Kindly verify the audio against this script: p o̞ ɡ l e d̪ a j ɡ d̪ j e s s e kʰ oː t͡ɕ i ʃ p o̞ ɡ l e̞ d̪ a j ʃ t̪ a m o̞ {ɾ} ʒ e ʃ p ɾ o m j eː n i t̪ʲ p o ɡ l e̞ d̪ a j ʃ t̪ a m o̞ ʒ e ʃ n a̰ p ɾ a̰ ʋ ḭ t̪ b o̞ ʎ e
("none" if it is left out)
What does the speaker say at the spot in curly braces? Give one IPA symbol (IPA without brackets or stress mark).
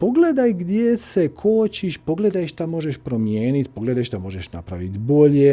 none